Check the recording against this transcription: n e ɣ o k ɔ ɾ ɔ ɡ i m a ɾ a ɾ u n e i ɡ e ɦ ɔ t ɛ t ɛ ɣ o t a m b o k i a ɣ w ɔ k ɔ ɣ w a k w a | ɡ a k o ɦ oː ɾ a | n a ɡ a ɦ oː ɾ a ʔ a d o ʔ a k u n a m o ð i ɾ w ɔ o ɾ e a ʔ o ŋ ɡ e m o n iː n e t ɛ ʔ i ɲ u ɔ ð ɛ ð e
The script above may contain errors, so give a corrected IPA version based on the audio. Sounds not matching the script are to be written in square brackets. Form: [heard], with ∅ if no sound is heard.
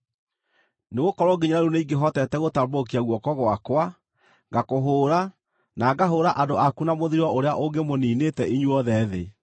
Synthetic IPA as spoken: n e ɣ o k ɔ ɾ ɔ ɡ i [ɲ] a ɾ a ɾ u n e i ɡ e ɦ ɔ t ɛ t ɛ ɣ o t a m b o k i a ɣ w ɔ k ɔ ɣ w a k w a | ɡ a k o ɦ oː ɾ a | n a ɡ a ɦ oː ɾ a ʔ a d o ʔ a k u n a m o ð i ɾ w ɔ o ɾ e a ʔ o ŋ ɡ e m o n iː n e t ɛ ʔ i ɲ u ɔ ð ɛ ð e